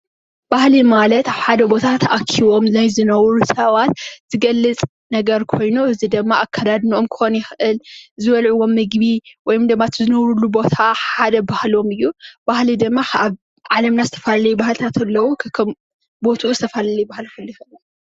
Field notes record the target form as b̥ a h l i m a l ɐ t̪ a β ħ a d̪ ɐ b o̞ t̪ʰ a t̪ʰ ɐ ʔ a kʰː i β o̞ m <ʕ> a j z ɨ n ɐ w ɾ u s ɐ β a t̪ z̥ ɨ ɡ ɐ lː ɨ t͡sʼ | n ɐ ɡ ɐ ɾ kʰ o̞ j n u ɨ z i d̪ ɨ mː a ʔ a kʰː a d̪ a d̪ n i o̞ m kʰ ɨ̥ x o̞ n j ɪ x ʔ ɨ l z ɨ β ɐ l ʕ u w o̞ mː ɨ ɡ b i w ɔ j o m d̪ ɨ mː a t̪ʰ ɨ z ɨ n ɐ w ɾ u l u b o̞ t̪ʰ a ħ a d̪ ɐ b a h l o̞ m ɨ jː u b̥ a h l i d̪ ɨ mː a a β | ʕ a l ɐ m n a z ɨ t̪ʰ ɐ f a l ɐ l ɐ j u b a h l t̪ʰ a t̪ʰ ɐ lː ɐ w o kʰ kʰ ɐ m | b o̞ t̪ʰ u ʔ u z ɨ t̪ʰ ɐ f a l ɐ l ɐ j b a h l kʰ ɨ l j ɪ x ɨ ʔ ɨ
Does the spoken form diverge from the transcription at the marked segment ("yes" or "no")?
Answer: yes